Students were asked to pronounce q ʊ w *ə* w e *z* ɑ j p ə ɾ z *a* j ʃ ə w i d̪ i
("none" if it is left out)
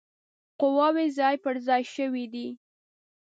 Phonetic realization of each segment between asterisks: ɑ, z, ɑ

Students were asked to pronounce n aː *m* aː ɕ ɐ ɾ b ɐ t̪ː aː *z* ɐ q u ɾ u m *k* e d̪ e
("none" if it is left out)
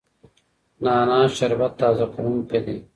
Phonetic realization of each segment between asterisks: n, z, p

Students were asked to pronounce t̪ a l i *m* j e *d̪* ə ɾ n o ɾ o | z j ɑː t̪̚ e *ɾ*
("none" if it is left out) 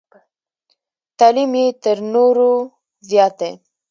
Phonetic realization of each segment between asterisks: m, t̪, none

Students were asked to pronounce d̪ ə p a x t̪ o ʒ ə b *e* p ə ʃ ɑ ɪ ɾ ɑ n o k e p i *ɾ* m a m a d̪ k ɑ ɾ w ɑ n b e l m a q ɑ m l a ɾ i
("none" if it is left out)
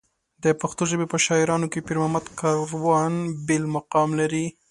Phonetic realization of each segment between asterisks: e, ɾ

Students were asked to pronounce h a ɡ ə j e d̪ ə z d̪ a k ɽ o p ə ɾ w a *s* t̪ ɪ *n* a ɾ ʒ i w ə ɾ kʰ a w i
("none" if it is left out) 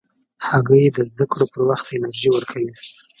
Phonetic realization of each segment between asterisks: x, n

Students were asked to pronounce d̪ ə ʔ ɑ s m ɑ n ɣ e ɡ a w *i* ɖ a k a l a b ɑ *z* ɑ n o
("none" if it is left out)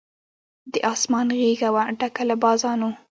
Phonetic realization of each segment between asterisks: a, z

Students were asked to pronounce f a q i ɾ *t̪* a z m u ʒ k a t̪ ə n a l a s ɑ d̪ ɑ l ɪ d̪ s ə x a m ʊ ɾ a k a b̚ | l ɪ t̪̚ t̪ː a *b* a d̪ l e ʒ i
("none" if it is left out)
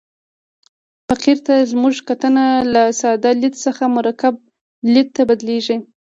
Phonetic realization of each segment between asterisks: t̪, b

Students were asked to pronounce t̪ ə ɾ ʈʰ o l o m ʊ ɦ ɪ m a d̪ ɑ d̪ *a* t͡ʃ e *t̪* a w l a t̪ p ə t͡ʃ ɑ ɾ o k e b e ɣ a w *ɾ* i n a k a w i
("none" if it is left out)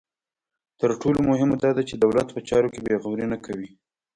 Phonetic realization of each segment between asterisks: a, d̪, ɾ

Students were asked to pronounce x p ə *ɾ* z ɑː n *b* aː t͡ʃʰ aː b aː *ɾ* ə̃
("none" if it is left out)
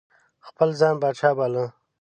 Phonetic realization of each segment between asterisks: l, b, l

